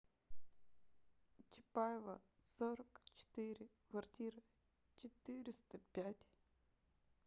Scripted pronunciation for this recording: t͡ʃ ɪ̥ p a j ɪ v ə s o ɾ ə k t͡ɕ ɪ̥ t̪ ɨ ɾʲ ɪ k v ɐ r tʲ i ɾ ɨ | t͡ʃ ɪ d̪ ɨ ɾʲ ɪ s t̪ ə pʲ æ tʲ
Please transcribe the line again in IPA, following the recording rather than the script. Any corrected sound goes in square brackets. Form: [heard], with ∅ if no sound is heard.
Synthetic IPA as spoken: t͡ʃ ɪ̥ p a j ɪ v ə s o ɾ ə k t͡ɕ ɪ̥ t̪ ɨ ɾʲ ɪ k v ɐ r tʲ i ɾ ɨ | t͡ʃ ɪ [t̪] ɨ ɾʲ ɪ s t̪ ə pʲ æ tʲ